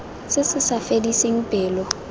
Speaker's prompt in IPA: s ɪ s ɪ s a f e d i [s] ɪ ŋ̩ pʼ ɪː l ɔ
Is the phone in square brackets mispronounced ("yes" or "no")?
no